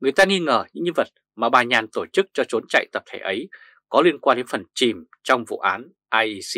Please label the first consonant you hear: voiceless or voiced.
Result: voiced